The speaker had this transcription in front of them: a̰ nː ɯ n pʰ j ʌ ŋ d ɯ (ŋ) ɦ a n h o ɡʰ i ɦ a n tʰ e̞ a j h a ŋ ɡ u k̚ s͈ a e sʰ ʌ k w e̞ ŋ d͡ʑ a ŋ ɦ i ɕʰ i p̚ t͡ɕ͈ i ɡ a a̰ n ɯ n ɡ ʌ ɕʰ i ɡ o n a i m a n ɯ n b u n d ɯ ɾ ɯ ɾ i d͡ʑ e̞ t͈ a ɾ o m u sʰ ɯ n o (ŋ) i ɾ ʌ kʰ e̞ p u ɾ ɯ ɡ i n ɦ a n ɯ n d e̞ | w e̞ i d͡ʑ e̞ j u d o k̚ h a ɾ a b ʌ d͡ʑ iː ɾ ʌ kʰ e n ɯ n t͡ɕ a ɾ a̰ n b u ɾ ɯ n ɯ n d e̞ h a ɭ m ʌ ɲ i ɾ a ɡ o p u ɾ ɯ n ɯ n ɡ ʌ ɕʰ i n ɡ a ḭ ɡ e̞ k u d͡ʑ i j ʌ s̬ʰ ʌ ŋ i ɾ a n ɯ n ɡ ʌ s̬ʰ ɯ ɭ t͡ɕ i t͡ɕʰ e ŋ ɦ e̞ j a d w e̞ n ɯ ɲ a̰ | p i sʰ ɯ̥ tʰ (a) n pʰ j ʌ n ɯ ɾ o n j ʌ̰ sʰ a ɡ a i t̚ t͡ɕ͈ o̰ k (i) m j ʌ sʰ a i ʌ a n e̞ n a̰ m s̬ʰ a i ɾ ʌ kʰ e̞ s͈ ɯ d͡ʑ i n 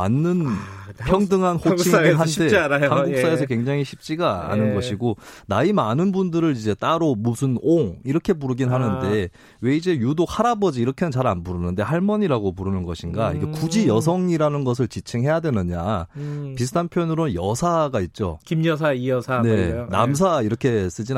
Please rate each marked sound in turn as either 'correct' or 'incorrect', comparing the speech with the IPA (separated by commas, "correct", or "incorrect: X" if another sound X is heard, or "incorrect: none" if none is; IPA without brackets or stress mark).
correct, correct, correct, correct